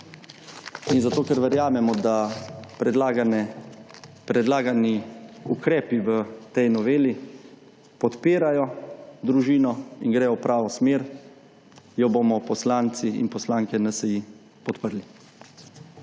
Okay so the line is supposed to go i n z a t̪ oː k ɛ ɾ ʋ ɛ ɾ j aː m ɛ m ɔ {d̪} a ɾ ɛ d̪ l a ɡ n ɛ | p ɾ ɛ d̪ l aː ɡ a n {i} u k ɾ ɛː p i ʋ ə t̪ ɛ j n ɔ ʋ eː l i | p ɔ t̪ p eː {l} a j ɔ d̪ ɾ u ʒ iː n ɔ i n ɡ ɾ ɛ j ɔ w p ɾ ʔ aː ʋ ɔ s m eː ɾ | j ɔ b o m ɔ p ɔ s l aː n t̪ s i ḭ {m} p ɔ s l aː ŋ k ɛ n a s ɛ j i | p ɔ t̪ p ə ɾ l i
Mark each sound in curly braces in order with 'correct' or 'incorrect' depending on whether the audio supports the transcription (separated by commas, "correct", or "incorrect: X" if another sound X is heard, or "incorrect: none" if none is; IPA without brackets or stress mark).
correct, correct, incorrect: ɾ, incorrect: n